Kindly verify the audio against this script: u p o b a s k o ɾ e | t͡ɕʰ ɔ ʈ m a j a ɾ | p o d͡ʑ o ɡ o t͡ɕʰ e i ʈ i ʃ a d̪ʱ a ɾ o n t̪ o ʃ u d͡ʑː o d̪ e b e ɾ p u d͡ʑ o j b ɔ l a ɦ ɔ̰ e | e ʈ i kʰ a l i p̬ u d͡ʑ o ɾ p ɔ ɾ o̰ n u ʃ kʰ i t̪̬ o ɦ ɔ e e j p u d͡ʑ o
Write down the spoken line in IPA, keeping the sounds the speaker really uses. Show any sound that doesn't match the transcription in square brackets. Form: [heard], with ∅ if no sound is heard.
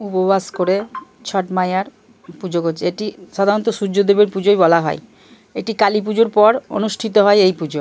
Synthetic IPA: u p o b a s k o ɾ e | t͡ɕʰ ɔ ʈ m a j a ɾ | p [u] d͡ʑ o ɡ o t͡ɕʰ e [e] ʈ i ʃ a d̪ʱ a ɾ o n t̪ o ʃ u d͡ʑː o d̪ e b e ɾ p u d͡ʑ o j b ɔ l a ɦ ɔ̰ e | e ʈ i [k] a l i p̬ u d͡ʑ o ɾ p ɔ ɾ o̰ n u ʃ [ʈʰ] i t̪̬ o ɦ ɔ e e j p u d͡ʑ o